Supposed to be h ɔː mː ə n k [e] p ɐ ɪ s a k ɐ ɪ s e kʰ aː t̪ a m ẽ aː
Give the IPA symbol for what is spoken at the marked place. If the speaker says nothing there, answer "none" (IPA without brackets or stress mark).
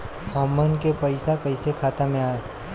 e